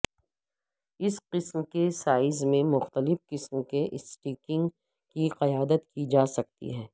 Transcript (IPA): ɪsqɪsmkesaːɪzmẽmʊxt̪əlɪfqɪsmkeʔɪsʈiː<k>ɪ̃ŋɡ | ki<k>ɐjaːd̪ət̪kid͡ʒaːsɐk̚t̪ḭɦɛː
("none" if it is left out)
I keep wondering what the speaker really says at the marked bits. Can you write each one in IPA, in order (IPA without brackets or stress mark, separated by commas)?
k, q